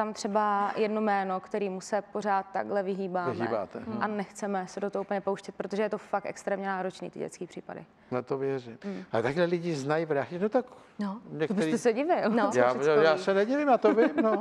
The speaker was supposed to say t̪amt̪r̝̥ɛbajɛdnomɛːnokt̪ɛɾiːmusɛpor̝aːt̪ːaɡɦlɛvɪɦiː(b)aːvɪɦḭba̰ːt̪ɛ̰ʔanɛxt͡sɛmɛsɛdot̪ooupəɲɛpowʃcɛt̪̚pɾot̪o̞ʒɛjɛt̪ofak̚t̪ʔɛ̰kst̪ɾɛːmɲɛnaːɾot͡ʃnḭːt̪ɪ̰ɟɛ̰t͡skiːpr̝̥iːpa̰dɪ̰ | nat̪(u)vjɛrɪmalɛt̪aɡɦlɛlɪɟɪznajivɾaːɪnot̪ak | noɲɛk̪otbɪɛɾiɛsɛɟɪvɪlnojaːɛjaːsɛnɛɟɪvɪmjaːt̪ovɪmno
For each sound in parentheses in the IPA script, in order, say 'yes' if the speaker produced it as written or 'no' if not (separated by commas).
yes, no